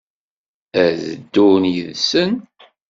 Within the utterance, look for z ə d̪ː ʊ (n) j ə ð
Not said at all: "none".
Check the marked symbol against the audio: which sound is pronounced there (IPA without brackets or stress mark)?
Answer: n